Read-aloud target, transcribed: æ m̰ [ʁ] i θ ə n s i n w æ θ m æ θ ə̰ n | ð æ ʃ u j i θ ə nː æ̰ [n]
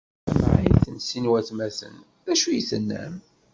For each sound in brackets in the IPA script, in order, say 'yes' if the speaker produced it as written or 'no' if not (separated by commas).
no, no